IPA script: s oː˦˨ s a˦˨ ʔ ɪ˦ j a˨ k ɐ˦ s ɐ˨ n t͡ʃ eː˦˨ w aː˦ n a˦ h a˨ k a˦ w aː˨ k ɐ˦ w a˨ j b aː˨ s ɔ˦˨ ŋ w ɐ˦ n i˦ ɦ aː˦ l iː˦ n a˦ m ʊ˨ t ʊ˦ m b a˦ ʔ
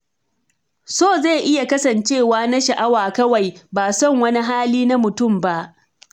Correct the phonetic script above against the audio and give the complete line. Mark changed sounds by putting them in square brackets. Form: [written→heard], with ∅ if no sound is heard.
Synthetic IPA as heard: s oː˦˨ [s→z] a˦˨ ʔ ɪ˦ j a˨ k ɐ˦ s ɐ˨ n t͡ʃ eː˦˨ w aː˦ n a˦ [h→ʃ] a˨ [k→ʔ] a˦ w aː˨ k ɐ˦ w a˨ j b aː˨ s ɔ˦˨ ŋ w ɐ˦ n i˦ ɦ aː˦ l iː˦ n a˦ m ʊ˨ t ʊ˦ m b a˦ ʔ